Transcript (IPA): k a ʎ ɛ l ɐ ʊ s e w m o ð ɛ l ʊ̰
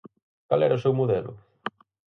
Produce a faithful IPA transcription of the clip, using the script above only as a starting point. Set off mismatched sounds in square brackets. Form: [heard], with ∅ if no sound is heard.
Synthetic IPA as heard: k a [l] ɛ [ɾ] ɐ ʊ s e w m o ð ɛ l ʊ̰